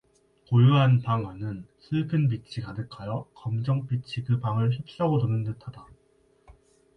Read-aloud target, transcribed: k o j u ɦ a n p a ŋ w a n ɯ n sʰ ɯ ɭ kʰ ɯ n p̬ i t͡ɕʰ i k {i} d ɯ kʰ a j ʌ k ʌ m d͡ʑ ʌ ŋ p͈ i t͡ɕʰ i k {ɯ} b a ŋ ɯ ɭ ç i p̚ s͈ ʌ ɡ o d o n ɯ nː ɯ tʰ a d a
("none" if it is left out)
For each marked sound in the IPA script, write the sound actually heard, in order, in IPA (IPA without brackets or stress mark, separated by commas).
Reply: a, ɯ